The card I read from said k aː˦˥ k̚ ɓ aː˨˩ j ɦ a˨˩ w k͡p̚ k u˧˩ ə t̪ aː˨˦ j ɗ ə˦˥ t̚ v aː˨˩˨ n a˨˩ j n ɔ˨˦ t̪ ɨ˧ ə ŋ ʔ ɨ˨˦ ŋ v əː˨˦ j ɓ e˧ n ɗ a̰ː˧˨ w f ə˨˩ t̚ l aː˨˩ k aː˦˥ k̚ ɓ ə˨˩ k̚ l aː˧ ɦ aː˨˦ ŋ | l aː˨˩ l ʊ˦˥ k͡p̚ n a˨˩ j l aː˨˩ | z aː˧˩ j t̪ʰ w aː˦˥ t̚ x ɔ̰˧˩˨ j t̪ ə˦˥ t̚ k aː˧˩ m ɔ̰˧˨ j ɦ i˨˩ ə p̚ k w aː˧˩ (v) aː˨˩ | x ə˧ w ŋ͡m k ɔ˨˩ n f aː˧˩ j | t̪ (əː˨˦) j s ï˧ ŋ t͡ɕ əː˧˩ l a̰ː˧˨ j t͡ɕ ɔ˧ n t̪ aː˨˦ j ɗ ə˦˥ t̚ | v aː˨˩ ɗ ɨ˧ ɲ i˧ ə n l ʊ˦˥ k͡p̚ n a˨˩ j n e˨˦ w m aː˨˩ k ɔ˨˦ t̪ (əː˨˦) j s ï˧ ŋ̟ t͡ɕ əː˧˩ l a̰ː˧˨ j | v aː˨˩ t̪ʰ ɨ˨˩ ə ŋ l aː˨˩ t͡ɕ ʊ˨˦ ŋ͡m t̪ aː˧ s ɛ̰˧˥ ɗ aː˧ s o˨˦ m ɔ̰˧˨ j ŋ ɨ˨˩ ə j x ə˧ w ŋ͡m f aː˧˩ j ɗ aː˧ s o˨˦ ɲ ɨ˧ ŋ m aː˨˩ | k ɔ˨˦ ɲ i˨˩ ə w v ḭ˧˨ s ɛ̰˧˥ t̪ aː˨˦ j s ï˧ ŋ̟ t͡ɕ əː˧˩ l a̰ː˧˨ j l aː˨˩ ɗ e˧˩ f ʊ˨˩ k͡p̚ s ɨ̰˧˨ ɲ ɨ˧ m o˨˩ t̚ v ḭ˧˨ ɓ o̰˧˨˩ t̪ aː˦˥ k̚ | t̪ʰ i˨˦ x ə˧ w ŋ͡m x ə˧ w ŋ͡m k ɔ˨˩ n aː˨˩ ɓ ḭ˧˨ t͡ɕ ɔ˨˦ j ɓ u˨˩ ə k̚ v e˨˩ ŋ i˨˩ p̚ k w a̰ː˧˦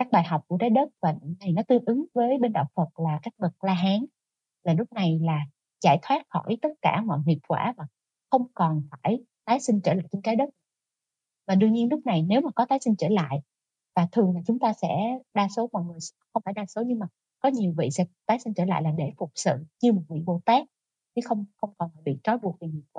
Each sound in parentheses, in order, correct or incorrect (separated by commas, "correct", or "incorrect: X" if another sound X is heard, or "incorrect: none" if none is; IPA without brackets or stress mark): correct, incorrect: aː˨˦, incorrect: aː˨˦